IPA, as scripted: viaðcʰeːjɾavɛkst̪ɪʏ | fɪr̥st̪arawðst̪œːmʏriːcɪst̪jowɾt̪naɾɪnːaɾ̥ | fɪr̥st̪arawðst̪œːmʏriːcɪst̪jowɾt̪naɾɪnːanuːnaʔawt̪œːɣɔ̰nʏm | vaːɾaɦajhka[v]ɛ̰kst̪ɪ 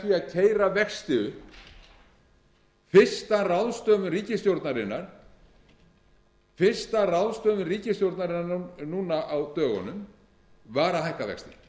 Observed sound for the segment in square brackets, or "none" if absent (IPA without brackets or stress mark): v